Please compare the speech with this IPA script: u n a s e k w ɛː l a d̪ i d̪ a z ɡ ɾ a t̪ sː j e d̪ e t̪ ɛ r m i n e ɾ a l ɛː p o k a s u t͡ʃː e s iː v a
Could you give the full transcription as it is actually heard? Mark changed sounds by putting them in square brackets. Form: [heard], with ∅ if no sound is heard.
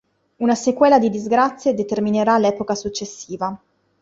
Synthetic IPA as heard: u n a s e k w ɛː l a d̪ i d̪ [i] z ɡ ɾ a t̪ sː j e d̪ e t̪ [e] r m i n e ɾ a l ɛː p o k a s u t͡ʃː e [sː] iː v a